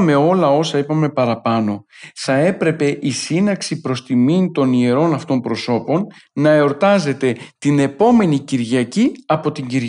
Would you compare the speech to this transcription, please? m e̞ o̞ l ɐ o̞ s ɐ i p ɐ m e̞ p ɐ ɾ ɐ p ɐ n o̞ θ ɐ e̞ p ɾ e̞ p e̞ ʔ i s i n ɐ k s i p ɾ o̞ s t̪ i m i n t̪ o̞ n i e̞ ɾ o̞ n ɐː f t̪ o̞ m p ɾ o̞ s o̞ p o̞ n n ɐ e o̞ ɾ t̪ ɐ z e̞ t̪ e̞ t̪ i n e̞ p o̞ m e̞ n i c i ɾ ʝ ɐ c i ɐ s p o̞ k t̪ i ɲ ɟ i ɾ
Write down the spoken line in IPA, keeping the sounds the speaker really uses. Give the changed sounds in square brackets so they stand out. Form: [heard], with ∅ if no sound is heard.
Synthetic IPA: m e̞ o̞ l ɐ o̞ s ɐ i p ɐ m e̞ p ɐ ɾ ɐ p ɐ n o̞ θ ɐ e̞ p ɾ e̞ p e̞ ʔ i s i n ɐ k s i p ɾ o̞ s t̪ i m i n t̪ o̞ n i e̞ ɾ o̞ n [ɐ] f t̪ o̞ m p ɾ o̞ s o̞ p o̞ n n ɐ e o̞ ɾ t̪ ɐ z e̞ t̪ e̞ t̪ i n e̞ p o̞ m e̞ n i c i ɾ ʝ ɐ c i ɐ [∅] p o̞ [∅] t̪ i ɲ ɟ i ɾ